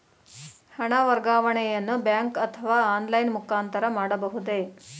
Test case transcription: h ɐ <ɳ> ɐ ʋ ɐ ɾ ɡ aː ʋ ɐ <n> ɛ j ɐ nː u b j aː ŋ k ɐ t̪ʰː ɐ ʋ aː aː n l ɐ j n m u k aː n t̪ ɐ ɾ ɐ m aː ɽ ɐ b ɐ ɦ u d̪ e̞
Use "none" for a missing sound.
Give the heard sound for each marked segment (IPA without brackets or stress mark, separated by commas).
ɳ, ɳ